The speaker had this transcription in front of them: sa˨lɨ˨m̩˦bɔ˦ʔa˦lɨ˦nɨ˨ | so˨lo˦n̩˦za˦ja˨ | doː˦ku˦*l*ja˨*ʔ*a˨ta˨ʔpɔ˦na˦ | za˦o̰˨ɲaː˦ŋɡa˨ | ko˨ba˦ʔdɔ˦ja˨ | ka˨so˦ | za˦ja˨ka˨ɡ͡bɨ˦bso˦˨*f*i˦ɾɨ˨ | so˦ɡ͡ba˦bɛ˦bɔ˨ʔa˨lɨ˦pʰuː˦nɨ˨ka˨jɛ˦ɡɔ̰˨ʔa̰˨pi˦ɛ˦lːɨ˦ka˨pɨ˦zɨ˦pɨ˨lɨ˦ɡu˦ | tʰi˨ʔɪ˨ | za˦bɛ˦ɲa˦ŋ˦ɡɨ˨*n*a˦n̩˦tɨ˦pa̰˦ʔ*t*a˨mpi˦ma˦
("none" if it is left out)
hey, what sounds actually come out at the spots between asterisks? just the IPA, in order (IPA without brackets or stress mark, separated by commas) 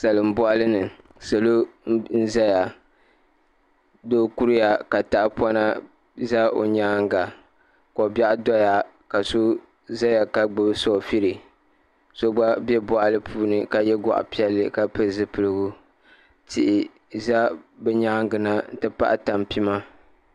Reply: ɾ, k, f, n, t